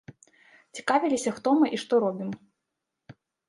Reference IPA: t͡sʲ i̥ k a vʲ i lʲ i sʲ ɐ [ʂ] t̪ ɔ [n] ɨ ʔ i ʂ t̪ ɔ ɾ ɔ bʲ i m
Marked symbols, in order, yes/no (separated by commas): no, no